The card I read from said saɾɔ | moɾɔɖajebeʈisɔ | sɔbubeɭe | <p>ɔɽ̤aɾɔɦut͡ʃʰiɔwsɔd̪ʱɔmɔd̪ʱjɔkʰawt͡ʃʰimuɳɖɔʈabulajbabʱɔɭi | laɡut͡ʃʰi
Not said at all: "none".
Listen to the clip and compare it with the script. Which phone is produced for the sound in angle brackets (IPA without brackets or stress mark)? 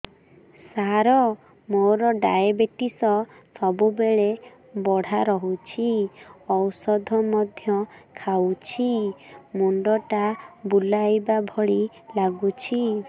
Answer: b